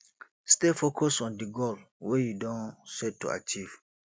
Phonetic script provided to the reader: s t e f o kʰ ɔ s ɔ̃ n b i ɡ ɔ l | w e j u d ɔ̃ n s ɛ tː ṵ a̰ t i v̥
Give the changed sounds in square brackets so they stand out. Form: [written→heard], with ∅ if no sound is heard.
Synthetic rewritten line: s t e f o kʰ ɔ s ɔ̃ n [b→d] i ɡ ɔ l | w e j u d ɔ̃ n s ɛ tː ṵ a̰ [t→t͡ʃ] i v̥